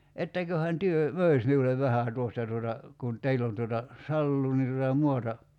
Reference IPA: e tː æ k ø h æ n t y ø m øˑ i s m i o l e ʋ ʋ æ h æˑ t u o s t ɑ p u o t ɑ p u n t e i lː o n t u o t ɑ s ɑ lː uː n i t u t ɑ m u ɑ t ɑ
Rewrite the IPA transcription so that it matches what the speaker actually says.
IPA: e tː æ k ø h æ n t y ø m øˑ i s m i u l e ʋ ʋ æ h æˑ t u o s t ɑ t u o t ɑ k u n t e i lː o n t u o t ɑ s ɑ lː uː n i t u t ɑ m u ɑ t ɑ